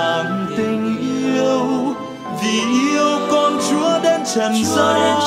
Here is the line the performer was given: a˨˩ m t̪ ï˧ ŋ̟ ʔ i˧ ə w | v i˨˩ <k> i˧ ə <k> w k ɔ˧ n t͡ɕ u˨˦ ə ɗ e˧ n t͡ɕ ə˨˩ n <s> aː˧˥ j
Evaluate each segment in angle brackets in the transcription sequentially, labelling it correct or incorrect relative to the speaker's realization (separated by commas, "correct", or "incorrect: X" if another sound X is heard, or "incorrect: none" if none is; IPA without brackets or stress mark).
incorrect: ʔ, incorrect: none, incorrect: z